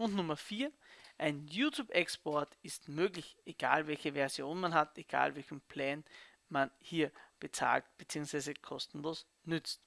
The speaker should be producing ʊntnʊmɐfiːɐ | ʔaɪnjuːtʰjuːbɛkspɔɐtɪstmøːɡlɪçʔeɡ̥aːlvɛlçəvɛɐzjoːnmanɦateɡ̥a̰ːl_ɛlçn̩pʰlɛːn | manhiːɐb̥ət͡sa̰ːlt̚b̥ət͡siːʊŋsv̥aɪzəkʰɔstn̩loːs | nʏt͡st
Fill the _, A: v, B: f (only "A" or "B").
A